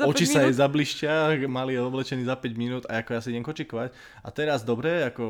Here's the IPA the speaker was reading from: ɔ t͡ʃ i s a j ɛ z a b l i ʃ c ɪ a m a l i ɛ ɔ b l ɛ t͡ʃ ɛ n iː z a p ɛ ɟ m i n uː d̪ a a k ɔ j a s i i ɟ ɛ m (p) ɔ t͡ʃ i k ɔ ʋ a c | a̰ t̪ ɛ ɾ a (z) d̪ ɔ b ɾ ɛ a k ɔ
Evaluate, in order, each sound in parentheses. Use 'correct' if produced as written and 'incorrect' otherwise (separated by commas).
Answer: incorrect, correct